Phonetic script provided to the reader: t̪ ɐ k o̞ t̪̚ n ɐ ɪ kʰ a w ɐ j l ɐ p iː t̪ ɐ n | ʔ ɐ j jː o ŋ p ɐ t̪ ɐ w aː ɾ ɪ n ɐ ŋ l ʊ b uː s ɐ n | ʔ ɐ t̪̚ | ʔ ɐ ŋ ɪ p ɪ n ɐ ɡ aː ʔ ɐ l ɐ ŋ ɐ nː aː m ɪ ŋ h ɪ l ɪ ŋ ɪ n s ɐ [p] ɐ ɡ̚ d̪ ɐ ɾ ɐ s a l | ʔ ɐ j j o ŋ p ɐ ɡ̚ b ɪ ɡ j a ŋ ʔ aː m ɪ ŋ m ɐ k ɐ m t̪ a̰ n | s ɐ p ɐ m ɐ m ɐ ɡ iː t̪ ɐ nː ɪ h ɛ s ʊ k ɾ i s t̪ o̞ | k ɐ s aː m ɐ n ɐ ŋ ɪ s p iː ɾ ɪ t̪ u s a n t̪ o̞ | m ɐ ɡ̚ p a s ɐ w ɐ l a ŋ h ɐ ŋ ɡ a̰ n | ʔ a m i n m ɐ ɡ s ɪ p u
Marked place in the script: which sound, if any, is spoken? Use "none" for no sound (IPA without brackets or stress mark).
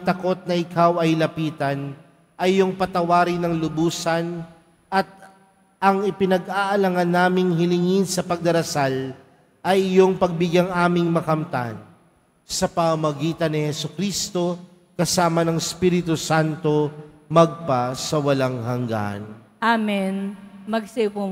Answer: p